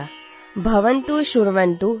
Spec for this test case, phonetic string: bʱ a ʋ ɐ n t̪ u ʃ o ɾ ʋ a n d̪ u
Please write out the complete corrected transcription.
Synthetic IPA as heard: bʱ ɐ ʋ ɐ n t̪ u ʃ u ɾ ʋ ɐ n t̪ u